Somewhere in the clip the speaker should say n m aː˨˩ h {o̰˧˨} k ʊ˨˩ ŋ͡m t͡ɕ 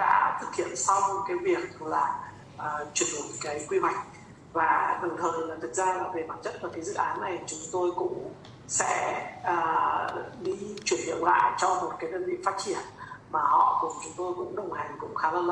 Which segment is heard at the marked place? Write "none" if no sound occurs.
ɔ̰˧˨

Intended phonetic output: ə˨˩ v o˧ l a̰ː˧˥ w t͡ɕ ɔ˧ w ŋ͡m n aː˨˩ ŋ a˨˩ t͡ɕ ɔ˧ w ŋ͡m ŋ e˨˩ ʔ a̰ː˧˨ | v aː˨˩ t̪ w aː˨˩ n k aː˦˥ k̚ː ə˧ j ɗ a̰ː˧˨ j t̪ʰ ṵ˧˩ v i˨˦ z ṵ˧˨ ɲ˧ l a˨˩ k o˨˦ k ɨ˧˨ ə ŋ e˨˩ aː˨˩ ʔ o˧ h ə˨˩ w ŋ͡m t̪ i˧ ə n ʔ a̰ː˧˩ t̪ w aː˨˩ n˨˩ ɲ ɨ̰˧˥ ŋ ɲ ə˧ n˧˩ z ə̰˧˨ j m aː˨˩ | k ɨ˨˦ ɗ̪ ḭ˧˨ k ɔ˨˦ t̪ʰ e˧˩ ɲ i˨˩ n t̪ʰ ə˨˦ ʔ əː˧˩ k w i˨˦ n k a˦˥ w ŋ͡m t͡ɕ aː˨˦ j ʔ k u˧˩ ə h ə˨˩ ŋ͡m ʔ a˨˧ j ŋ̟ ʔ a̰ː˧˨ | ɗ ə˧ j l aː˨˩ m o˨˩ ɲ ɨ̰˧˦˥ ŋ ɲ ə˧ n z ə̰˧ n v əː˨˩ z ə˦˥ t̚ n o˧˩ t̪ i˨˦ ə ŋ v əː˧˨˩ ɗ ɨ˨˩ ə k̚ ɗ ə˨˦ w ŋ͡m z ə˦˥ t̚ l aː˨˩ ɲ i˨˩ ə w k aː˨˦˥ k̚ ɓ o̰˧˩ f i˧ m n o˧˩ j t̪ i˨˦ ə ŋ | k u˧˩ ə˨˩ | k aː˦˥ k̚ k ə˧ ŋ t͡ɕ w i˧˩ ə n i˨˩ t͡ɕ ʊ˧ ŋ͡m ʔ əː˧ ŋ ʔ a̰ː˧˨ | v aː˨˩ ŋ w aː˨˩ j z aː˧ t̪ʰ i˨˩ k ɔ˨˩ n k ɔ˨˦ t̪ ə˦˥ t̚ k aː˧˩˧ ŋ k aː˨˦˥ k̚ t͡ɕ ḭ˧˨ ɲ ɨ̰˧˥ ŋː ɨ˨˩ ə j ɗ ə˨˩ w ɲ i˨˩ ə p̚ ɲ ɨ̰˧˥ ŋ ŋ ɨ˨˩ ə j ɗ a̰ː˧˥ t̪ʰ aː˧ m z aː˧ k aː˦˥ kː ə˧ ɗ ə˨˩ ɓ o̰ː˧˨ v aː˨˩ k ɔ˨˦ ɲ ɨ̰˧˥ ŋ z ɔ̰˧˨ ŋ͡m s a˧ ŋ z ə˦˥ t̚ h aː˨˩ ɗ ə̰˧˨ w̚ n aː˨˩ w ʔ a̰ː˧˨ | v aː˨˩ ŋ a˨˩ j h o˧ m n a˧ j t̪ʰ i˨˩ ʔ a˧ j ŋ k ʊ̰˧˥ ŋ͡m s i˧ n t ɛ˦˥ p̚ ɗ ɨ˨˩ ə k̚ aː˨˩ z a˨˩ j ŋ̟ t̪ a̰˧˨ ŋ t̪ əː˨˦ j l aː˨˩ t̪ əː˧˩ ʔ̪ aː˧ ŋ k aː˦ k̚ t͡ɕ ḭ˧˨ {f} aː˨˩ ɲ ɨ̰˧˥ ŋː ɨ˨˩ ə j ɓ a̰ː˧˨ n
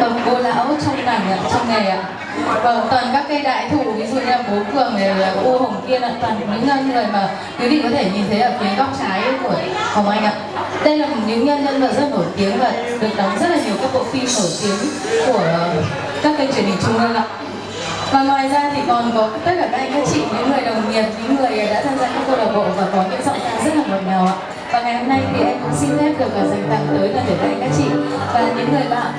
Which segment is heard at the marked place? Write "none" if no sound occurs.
v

